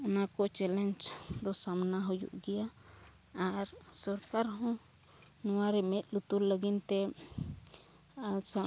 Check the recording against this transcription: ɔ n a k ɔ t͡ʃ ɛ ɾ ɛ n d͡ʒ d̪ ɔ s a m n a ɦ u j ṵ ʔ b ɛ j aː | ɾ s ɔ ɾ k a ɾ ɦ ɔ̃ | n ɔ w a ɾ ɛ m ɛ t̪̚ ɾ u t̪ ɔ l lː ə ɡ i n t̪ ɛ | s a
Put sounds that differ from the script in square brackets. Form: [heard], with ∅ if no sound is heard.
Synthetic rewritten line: ɔ n a k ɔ t͡ʃ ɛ [l] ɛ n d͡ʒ d̪ ɔ s a m n a ɦ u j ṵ ʔ [ɡ] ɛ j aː | ɾ s ɔ ɾ k a ɾ ɦ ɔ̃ | n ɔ w a ɾ ɛ m ɛ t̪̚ [l] u t̪ [u] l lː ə ɡ i n t̪ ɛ | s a